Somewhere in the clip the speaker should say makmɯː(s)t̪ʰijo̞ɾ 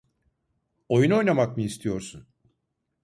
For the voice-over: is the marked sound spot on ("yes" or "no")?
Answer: yes